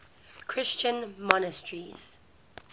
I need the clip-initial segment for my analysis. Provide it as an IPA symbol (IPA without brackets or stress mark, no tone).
kʰ